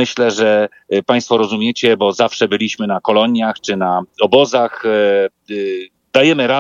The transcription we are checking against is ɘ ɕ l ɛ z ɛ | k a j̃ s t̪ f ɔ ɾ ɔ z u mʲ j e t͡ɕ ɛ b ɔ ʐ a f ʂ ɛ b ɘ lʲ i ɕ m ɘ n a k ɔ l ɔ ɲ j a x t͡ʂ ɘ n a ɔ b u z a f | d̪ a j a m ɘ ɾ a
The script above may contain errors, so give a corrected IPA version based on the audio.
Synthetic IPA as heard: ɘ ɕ l ɛ ʐ ɛ | p a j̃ s t̪ f ɔ ɾ ɔ z u mʲ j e t͡ɕ ɛ b ɔ z a f ʂ ɛ b ɘ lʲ i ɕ m ɘ n a k ɔ l ɔ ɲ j a x t͡ʂ ɘ n a ɔ b ɔ z a x | d̪ a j ɛ m ɘ ɾ a